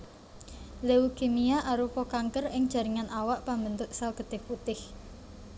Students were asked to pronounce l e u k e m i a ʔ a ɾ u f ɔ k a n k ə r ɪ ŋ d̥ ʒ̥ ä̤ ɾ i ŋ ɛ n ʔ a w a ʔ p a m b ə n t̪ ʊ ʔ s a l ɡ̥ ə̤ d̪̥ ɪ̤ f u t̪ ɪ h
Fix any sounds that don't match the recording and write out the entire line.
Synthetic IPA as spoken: l e u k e m i a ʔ a ɾ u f ɔ k a ŋ k ə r ɪ ŋ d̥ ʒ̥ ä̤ ɾ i ŋ a n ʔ a w a ʔ p a m b ə n t̪ ʊ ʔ s a l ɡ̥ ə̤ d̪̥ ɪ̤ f u t̪ ɪ h